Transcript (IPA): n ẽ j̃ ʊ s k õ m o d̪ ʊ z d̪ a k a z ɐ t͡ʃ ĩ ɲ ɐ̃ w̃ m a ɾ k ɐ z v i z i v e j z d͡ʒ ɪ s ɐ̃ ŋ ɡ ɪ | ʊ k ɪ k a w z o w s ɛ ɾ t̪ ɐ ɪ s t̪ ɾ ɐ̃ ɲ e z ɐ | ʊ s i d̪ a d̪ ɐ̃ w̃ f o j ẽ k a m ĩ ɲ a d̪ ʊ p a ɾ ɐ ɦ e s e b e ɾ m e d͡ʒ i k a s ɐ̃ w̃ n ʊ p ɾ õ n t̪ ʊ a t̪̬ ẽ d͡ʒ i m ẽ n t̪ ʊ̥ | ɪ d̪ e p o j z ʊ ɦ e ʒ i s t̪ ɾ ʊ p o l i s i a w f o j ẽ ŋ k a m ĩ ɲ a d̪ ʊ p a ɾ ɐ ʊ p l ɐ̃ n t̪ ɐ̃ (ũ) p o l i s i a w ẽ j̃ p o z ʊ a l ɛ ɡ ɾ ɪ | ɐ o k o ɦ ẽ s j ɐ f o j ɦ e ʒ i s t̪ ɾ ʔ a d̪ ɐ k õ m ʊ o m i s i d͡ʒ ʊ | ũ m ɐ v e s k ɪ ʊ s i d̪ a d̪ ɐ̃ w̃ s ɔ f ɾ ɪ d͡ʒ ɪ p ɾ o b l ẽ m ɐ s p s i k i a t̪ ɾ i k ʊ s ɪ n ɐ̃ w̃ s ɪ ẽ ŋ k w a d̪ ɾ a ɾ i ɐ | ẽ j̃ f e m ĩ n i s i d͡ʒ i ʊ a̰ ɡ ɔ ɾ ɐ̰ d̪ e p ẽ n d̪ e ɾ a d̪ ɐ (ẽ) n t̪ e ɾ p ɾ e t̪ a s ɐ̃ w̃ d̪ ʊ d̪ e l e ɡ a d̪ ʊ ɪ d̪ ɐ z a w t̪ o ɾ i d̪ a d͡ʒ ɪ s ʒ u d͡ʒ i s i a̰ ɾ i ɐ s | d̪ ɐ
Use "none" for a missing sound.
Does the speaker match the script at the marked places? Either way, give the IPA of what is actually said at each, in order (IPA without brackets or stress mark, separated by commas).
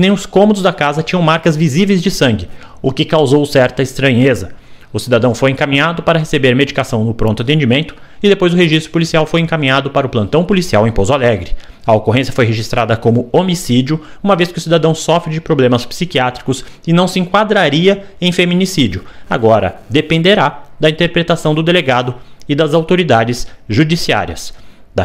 w̃, ĩ